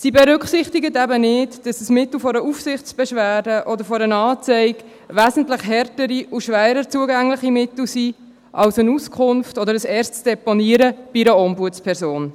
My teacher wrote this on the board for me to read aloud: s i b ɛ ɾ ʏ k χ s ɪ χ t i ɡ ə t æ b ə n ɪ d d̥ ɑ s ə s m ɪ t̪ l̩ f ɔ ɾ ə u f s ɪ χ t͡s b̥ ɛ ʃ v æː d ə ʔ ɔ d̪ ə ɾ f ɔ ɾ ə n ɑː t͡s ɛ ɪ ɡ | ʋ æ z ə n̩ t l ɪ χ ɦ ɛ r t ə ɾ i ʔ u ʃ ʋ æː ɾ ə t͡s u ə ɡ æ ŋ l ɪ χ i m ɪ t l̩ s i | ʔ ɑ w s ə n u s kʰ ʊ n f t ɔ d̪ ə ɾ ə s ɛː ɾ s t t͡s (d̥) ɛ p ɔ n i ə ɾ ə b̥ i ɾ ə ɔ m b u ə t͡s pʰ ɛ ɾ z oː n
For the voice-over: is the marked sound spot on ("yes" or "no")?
yes